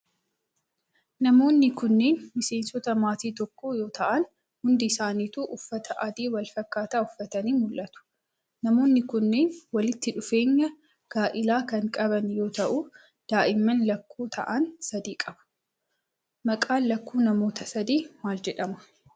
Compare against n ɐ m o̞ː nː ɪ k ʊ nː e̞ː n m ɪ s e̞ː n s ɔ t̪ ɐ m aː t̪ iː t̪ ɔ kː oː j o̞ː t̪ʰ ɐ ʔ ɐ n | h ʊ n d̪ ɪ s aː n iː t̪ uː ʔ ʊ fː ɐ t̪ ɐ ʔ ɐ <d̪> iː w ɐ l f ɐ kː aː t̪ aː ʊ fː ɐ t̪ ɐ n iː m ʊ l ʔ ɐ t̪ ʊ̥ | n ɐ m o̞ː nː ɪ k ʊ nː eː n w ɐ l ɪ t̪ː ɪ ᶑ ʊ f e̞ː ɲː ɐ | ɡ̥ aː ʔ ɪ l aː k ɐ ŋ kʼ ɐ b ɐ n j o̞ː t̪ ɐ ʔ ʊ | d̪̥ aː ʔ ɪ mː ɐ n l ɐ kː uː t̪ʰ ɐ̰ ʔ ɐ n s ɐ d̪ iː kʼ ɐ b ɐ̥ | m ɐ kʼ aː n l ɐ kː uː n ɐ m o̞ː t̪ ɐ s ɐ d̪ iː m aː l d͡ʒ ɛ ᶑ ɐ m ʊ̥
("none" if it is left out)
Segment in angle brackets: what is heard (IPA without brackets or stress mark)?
d̪